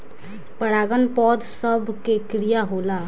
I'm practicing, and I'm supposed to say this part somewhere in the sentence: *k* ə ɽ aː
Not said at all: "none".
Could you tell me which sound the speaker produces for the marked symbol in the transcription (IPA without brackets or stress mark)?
p